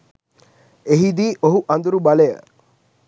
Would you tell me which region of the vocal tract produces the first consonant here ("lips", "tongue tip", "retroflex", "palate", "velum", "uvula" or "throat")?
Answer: throat